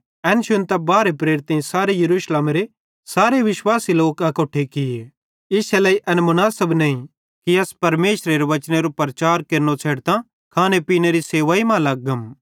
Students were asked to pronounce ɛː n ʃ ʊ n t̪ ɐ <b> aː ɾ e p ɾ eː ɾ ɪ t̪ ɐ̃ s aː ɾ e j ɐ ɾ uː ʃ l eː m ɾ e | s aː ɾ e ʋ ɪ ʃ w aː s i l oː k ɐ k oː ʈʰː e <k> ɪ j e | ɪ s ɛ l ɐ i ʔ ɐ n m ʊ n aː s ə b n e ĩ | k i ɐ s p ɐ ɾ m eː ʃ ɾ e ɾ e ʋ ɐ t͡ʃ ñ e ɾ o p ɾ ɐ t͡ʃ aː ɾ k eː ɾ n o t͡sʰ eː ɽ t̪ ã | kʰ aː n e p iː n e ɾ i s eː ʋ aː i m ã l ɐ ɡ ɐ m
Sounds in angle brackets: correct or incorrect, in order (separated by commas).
correct, correct